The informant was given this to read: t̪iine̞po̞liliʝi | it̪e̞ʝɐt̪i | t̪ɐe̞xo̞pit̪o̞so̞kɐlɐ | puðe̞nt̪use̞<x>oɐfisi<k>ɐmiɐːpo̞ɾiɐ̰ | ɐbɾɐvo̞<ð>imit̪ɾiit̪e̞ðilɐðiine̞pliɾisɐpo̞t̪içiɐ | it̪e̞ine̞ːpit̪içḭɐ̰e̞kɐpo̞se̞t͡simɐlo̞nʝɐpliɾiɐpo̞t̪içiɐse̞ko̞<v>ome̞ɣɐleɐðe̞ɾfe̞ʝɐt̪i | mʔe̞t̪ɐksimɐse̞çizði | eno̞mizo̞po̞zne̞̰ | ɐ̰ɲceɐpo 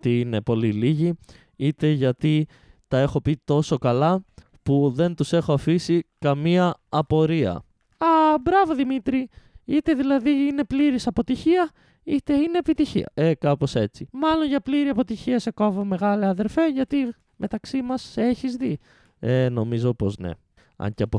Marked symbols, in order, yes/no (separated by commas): yes, yes, yes, yes